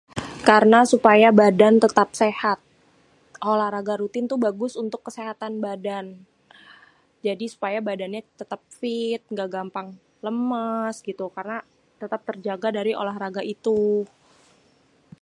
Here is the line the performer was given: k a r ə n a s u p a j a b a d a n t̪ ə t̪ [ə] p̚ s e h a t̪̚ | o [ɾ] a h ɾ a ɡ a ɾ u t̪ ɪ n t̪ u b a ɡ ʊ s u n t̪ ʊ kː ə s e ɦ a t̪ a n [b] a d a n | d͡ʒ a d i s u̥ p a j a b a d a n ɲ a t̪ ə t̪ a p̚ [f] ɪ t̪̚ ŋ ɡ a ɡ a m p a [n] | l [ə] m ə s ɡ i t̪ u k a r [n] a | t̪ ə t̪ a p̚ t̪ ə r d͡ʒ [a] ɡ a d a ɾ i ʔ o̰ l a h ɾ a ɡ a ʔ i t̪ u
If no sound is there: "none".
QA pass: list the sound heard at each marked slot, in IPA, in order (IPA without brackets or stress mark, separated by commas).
a, l, b, f, ŋ, ə, n, a